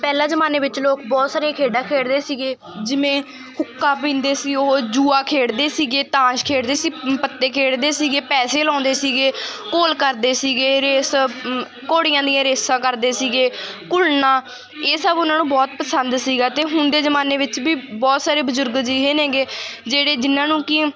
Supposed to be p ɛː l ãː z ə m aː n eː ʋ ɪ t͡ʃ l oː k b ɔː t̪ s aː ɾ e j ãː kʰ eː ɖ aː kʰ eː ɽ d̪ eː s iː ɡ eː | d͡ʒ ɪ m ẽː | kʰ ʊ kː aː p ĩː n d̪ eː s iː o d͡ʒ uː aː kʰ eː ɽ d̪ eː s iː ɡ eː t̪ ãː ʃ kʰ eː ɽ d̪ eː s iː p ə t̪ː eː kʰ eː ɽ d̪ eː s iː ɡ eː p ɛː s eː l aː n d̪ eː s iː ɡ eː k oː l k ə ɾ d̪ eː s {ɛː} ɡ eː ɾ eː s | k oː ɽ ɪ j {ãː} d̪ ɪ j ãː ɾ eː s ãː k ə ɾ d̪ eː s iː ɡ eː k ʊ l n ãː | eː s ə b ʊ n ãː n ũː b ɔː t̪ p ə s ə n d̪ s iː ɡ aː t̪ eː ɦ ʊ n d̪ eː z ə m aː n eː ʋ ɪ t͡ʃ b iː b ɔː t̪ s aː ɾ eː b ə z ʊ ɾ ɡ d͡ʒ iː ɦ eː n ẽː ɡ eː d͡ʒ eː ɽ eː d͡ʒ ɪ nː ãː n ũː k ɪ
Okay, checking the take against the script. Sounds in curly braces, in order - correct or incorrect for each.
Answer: incorrect: iː, correct

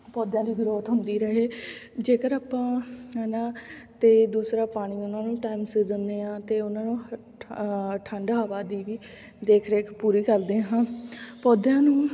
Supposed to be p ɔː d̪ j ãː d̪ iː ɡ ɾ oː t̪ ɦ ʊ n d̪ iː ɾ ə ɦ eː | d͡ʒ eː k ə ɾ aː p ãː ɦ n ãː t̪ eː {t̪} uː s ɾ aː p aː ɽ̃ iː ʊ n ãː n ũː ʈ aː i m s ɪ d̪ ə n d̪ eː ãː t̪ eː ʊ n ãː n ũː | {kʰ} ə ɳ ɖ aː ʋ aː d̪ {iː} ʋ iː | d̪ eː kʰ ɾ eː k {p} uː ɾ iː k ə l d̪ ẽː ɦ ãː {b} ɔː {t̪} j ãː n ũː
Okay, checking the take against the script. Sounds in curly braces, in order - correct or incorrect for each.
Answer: incorrect: d̪, incorrect: ʈʰ, correct, correct, incorrect: p, incorrect: d̪

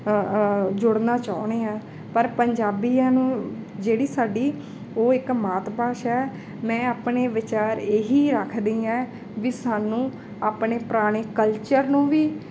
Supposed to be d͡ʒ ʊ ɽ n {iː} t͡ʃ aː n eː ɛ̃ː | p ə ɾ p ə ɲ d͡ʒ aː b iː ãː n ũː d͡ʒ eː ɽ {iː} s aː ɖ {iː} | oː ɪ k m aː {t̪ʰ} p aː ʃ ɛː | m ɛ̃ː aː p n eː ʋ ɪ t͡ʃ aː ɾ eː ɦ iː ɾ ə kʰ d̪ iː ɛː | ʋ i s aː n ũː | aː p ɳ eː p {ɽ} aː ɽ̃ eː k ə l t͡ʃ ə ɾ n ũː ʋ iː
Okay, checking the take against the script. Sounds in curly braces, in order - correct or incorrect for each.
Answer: incorrect: aː, correct, correct, incorrect: t̪, incorrect: ɾ

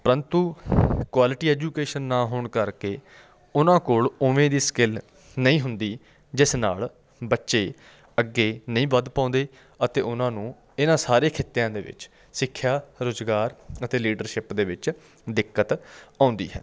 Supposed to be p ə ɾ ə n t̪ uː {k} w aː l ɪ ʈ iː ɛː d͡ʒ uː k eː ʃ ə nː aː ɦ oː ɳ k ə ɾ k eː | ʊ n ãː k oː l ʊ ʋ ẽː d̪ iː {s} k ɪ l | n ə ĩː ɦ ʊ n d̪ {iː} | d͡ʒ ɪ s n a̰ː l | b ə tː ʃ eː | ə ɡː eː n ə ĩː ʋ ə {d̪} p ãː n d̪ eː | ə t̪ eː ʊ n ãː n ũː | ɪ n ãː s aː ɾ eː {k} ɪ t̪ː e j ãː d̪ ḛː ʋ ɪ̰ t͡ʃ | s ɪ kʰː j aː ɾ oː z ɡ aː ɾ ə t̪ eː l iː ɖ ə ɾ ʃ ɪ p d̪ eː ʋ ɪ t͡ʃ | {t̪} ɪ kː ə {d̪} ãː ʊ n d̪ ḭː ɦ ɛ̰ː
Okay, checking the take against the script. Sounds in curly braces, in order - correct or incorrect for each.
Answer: correct, correct, correct, correct, incorrect: kʰ, incorrect: d̪, incorrect: t̪

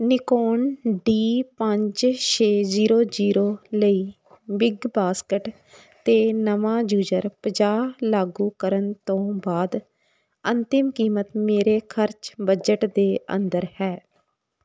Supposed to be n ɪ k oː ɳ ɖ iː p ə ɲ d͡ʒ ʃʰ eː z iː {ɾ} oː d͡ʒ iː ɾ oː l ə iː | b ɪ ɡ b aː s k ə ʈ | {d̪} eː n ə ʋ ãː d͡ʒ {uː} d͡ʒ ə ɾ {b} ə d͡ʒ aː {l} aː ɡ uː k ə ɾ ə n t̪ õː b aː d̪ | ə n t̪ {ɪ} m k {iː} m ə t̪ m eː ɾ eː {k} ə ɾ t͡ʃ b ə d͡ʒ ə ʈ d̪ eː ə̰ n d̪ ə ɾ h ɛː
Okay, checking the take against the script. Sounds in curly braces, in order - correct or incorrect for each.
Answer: correct, incorrect: t̪, correct, incorrect: p, correct, correct, correct, incorrect: kʰ

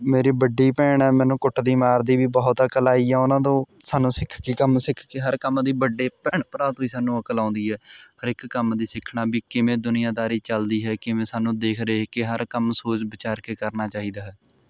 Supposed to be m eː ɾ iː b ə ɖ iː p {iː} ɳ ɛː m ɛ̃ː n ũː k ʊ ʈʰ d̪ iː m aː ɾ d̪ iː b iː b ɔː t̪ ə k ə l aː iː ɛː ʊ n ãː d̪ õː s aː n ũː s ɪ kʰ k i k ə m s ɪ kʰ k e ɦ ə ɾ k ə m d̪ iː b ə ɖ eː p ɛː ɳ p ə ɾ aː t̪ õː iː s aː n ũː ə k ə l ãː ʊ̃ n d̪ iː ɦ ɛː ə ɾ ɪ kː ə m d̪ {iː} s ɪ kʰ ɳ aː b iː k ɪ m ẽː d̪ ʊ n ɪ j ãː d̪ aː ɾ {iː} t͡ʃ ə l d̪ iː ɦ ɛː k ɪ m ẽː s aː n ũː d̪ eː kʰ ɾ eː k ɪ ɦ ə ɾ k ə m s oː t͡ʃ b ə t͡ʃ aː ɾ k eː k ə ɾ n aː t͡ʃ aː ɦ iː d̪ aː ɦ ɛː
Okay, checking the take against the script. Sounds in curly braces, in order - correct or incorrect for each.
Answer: incorrect: ɛː, correct, correct

